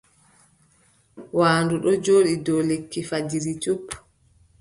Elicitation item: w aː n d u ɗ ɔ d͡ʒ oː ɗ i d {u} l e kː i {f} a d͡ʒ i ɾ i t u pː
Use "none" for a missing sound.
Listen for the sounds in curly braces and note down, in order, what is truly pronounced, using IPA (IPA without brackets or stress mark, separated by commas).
ɔ, f